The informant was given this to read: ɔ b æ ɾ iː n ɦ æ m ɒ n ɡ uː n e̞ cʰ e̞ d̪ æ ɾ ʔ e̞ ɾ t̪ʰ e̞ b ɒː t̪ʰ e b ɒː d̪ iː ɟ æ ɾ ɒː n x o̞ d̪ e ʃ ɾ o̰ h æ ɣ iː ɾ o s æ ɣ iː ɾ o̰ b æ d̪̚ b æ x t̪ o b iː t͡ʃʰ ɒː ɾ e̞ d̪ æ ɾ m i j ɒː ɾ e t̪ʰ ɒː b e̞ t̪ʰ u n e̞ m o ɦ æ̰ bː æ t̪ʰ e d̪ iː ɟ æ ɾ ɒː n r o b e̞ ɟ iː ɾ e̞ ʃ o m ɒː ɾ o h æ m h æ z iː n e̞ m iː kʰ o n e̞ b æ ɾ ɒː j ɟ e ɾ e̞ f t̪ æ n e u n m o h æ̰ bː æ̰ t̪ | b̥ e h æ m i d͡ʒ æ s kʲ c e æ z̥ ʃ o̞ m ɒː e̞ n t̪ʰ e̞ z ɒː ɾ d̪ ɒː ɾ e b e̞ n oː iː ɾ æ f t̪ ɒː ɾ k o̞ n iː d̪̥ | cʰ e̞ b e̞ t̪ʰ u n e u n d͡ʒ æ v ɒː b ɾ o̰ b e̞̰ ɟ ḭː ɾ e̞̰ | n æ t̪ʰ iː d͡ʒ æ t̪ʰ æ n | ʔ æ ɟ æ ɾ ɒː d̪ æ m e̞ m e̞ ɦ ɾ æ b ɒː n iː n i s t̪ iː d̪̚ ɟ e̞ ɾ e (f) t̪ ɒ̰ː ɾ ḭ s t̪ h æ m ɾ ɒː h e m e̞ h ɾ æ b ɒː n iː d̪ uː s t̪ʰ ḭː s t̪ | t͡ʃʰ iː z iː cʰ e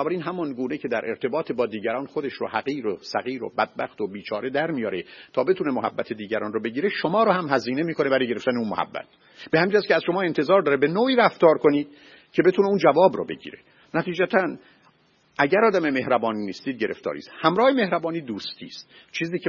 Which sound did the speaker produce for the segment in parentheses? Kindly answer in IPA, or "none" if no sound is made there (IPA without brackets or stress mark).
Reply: f